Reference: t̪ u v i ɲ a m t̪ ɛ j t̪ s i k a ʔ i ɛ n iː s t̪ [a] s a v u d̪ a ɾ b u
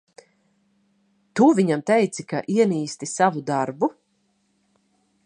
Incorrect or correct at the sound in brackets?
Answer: incorrect: i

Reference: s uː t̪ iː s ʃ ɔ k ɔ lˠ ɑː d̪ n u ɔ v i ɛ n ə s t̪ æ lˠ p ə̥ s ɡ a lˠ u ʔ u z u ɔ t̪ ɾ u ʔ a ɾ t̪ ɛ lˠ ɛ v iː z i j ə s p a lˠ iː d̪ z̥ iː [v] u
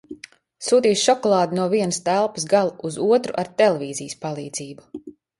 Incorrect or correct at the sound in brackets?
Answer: incorrect: b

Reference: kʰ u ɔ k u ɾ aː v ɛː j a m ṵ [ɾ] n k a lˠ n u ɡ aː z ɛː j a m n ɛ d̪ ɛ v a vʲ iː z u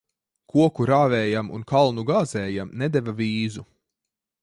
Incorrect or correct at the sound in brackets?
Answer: incorrect: none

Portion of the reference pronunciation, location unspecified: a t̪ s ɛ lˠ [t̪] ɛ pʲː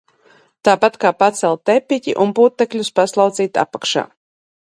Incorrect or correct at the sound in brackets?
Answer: correct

